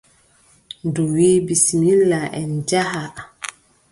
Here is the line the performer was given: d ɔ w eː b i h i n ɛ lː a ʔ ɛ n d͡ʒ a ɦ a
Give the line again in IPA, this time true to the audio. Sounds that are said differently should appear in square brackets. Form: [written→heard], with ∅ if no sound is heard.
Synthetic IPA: d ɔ w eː b i [h→s] i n [ɛ→i] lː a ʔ ɛ n d͡ʒ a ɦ a